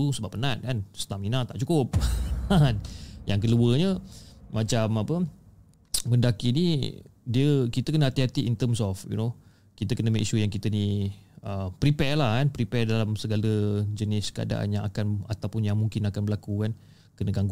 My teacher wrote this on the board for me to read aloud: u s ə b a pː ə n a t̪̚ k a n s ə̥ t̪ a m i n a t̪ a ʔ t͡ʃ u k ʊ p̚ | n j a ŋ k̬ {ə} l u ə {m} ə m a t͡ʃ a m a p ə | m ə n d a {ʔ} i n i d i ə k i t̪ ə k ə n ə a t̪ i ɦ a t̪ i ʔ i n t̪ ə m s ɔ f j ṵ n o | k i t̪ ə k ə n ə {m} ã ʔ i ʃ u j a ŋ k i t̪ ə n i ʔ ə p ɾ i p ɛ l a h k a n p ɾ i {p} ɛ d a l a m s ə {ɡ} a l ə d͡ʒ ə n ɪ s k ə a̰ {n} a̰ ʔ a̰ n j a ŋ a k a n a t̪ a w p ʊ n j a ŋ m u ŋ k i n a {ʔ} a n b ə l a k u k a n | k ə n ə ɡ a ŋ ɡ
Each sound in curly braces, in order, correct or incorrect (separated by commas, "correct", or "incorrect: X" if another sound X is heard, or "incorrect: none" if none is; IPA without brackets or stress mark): correct, incorrect: ɲ, incorrect: k, correct, correct, correct, incorrect: d, incorrect: k